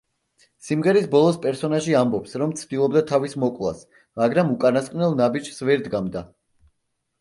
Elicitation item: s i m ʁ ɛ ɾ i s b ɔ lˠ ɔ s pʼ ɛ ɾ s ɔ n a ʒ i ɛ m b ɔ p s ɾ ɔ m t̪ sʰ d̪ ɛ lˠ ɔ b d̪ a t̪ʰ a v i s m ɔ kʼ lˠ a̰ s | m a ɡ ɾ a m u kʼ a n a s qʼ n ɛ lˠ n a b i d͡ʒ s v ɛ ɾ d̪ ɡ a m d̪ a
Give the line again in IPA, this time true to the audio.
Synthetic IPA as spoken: s i m ʁ ɛ ɾ i s b ɔ lˠ ɔ s pʼ ɛ ɾ s ɔ n a ʒ i a m b ɔ p s ɾ ɔ m t̪ sʰ d̪ i lˠ ɔ b d̪ a t̪ʰ a v i s m ɔ kʼ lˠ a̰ s | m a ɡ ɾ a m u kʼ a n a s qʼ n ɛ lˠ n a b i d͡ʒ s v ɛ ɾ d̪ ɡ a m d̪ a